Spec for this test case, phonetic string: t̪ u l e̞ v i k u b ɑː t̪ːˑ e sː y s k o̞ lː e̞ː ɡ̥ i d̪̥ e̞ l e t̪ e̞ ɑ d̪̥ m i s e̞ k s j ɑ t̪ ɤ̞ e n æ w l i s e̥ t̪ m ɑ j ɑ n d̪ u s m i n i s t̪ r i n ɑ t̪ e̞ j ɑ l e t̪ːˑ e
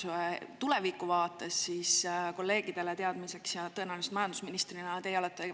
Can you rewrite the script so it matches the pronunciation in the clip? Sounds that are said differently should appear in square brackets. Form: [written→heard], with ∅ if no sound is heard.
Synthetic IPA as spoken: t̪ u l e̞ v i k u [b→v] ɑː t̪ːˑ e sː [y→i] s k o̞ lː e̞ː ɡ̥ i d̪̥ e̞ l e t̪ e̞ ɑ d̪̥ m i s e̞ k s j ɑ t̪ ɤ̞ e n æ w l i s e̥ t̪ m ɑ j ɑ n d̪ u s m i n i s t̪ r i n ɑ t̪ e̞ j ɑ l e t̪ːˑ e